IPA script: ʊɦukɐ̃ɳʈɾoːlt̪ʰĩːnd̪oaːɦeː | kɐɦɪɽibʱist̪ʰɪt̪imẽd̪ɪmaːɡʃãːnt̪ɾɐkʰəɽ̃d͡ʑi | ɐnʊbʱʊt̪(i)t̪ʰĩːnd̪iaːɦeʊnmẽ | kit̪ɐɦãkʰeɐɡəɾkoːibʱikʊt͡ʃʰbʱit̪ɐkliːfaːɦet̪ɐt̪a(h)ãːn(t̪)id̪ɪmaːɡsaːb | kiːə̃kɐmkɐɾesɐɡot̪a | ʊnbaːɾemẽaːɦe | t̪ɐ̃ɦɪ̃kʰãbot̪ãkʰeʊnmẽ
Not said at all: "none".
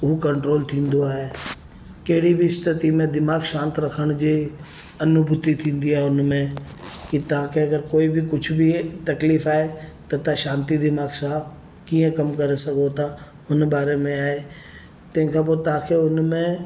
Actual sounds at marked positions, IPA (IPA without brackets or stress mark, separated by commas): i, ʃ, t̪